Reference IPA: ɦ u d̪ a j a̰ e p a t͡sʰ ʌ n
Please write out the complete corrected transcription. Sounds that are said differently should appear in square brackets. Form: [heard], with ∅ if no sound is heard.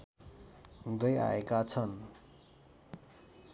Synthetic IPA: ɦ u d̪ [ʌ] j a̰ e [k] a t͡sʰ ʌ n